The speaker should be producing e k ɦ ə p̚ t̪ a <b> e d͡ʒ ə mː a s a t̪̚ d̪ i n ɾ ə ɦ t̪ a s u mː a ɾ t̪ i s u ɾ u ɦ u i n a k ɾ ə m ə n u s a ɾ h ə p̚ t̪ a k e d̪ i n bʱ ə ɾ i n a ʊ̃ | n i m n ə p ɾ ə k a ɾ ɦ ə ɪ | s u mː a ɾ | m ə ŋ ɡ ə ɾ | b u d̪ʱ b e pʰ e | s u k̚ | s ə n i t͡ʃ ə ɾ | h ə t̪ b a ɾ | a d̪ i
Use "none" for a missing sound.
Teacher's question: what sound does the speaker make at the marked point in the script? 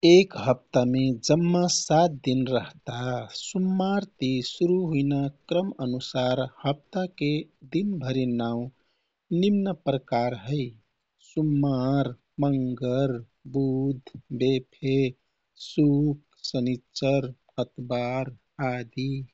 m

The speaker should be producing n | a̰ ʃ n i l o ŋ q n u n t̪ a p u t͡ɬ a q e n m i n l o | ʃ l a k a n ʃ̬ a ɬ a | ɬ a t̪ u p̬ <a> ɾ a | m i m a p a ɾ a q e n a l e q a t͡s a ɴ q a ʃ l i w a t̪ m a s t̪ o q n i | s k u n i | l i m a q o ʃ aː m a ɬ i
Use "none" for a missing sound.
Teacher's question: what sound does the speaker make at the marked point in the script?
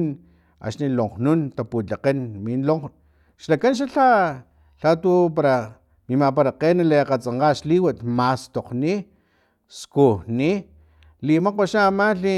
a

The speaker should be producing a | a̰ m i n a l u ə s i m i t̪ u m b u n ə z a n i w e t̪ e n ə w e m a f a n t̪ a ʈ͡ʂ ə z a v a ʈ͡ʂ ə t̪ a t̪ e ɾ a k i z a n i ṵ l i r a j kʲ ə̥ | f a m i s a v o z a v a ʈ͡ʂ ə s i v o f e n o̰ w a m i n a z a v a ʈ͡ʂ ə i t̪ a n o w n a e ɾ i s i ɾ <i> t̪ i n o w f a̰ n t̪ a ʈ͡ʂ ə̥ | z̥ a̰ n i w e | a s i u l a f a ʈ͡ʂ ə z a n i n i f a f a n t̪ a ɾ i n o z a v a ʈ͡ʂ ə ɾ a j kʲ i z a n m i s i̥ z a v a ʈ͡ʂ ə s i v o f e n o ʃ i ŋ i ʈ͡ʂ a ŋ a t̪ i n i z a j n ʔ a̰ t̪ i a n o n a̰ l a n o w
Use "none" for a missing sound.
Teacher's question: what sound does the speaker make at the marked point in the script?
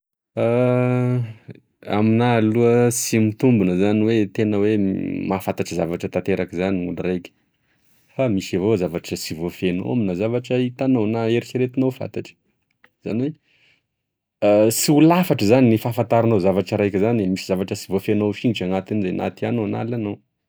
e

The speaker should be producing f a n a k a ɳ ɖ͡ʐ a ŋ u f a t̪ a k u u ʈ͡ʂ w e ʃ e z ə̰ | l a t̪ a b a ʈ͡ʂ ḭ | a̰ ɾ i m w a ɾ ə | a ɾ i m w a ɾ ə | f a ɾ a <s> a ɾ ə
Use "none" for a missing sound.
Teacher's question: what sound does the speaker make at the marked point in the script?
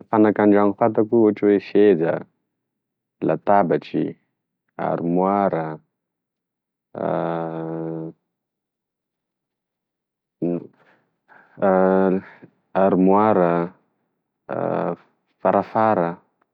f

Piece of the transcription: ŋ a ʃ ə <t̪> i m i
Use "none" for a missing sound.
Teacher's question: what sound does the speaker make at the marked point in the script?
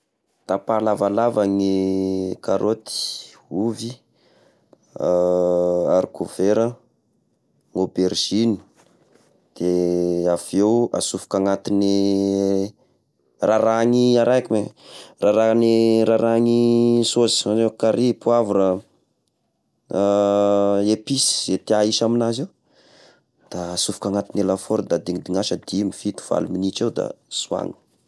d̪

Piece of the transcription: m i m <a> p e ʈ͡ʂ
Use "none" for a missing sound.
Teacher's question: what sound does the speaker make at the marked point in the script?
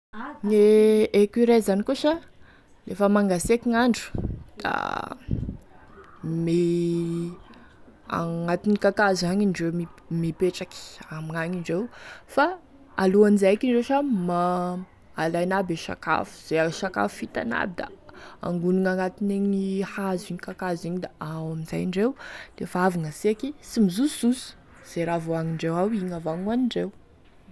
i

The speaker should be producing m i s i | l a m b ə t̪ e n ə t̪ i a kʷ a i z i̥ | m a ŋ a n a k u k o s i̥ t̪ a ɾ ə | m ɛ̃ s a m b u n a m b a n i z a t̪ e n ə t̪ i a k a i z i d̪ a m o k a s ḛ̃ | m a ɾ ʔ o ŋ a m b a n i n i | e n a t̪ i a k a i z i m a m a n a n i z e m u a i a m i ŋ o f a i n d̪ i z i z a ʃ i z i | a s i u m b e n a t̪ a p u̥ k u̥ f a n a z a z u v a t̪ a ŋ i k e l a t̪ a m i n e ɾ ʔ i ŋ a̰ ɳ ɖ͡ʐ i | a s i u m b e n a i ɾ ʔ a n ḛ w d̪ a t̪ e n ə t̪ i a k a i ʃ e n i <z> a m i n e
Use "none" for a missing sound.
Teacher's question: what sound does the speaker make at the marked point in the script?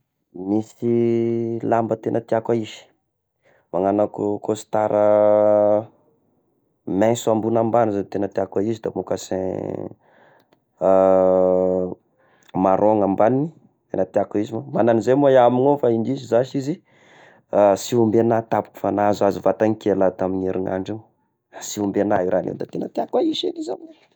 z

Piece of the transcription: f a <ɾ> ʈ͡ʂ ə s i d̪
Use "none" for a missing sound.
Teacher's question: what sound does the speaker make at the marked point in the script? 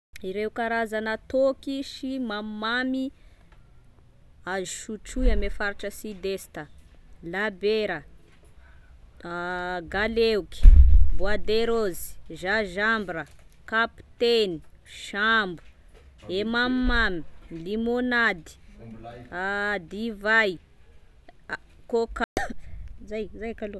ɾ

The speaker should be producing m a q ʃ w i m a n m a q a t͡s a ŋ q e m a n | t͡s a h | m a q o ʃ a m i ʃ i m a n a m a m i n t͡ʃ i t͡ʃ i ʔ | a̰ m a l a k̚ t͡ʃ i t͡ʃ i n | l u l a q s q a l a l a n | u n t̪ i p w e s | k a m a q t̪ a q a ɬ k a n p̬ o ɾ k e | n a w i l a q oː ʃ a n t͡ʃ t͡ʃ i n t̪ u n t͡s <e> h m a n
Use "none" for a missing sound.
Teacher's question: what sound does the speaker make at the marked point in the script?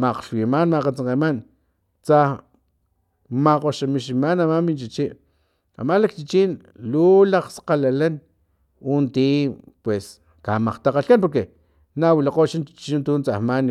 a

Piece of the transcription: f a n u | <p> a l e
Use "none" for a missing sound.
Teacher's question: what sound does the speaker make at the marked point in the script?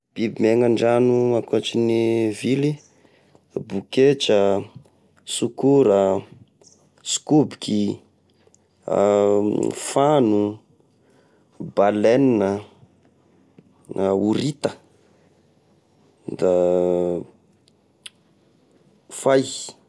b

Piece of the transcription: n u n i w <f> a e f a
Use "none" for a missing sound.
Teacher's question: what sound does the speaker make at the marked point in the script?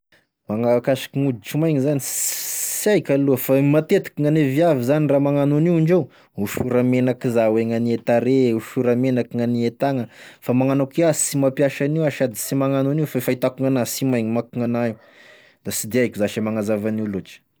f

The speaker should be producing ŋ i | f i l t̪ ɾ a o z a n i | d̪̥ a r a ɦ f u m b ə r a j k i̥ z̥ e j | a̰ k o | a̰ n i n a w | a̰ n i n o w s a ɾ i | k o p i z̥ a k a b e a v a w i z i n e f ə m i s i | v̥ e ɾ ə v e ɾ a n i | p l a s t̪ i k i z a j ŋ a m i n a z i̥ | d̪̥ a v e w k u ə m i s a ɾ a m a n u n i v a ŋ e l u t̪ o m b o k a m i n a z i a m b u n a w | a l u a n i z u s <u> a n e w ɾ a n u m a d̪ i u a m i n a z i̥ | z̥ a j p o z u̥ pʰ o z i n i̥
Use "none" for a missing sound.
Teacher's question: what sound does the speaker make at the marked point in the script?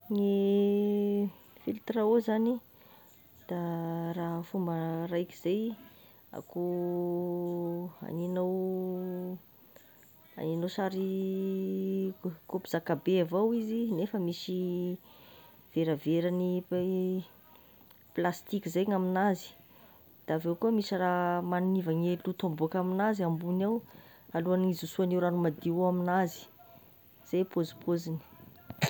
u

